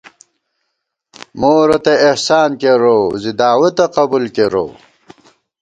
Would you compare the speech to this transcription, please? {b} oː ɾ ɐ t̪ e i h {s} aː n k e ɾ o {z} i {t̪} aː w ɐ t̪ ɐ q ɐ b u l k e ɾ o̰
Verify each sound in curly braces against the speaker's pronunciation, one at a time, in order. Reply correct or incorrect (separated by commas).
incorrect, correct, correct, incorrect